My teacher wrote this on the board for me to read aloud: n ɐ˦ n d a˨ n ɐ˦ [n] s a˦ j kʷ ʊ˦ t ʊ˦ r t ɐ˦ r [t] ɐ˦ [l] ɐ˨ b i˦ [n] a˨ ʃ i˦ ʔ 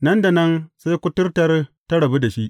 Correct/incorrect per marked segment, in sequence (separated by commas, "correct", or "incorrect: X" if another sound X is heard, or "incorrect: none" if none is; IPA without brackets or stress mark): correct, correct, incorrect: ɽ, incorrect: d